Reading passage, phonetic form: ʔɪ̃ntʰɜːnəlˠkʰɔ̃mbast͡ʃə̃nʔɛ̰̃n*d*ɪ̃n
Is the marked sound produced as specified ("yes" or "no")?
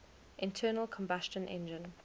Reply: no